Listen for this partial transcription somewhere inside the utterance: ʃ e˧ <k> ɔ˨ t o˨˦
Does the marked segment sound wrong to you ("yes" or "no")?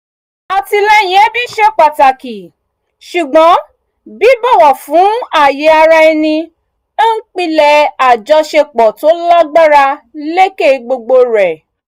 yes